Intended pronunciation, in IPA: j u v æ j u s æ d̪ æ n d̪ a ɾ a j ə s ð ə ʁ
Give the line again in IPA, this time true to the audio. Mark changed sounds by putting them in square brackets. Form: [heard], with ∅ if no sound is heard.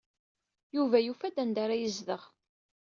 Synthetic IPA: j u v æ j u [f] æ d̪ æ n d̪ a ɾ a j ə [z] ð ə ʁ